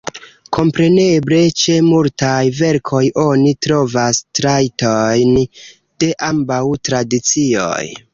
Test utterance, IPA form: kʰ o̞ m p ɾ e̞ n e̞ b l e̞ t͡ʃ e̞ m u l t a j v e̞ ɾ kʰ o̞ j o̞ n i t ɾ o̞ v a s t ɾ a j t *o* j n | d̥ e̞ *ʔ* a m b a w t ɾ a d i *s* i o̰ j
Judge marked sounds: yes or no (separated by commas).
yes, yes, no